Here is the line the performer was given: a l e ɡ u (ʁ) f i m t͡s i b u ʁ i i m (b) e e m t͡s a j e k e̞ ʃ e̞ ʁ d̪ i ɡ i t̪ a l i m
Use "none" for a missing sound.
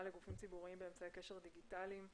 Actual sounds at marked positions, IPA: none, b

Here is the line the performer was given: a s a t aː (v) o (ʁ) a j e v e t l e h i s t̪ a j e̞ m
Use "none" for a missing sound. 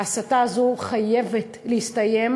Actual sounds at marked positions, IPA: z, χ

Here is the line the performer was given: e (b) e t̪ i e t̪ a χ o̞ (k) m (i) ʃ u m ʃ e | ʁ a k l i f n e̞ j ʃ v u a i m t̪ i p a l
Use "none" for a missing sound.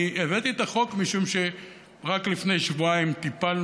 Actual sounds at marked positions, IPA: v, k, i

